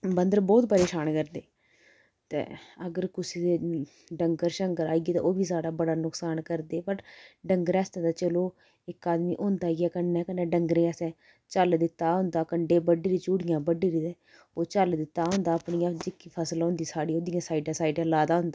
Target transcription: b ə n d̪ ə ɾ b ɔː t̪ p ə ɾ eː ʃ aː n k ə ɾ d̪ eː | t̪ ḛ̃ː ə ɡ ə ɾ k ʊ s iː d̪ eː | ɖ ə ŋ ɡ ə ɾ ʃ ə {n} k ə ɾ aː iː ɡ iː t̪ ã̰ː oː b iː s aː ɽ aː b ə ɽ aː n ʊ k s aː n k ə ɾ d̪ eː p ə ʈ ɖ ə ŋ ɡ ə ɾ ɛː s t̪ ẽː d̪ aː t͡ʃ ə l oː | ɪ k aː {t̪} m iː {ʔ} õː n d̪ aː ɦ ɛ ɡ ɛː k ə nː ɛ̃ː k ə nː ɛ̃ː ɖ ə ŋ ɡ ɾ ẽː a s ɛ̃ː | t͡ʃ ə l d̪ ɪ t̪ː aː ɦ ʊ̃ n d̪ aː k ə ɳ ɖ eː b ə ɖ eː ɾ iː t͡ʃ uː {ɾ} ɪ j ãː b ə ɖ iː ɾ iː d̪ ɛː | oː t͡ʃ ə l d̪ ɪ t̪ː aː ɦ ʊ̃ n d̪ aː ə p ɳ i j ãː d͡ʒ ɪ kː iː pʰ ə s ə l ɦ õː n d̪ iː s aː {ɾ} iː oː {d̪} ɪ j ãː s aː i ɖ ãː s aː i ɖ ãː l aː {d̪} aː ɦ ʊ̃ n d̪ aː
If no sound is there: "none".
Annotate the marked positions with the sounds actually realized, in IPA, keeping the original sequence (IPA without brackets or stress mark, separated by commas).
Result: ŋ, d̪, ʔ, ɽ, ɽ, d̪, d̪